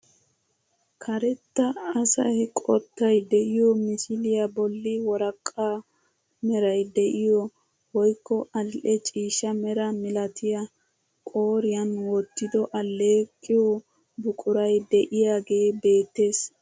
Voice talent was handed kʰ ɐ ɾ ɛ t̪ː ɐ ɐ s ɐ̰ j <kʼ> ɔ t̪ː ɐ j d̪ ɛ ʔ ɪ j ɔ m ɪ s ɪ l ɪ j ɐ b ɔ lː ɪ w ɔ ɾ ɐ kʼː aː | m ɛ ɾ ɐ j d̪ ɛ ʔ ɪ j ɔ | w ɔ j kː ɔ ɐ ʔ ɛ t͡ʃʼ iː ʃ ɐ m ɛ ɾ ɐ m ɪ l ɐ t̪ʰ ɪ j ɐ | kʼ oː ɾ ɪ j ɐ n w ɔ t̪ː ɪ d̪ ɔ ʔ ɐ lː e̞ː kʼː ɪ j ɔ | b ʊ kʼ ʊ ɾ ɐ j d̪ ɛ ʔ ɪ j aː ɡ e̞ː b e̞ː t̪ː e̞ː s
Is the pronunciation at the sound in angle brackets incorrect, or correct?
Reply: correct